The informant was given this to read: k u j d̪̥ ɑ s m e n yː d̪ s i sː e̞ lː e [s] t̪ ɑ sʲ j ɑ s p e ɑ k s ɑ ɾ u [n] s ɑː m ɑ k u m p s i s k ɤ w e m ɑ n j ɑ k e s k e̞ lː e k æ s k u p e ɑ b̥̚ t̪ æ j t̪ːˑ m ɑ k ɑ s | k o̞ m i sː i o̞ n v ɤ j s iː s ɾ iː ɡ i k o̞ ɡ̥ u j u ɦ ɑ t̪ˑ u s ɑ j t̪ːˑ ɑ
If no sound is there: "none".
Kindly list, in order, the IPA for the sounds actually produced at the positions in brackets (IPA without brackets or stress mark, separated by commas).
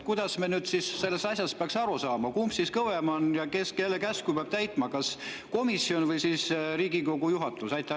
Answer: s, none